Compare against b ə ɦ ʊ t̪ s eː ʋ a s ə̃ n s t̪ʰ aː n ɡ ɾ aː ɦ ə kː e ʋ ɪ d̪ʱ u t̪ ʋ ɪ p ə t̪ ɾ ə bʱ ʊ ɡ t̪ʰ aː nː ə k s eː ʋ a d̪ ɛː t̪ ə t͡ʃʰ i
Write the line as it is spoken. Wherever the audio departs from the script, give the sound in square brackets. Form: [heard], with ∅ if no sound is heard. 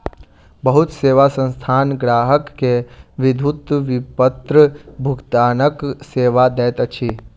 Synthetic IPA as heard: b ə ɦ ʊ t̪ s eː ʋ a s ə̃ n s t̪ʰ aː n ɡ ɾ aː ɦ ə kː e ʋ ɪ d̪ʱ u t̪ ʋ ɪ p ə t̪ ɾ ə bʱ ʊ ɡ [t̪] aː [n] ə k s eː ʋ a d̪ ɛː t̪ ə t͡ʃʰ i